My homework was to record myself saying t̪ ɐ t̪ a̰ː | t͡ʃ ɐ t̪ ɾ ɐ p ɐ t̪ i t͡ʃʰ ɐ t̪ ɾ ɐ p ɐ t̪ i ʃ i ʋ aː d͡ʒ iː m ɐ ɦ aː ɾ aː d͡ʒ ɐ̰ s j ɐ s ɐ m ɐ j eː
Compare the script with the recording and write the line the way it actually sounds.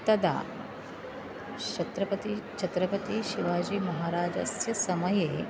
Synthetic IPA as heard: t̪ ɐ d̪ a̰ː | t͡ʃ ɐ t̪ ɾ ɐ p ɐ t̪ i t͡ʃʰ ɐ t̪ ɾ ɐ p ɐ t̪ i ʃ i ʋ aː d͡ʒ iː m ɐ ɦ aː ɾ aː d͡ʒ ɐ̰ s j ɐ s ɐ m ɐ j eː